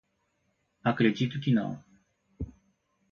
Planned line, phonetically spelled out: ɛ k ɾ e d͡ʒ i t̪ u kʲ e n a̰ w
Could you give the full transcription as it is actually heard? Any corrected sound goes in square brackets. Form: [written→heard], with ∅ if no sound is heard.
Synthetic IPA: [ɛ→a] k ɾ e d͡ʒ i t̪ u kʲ [e→i] n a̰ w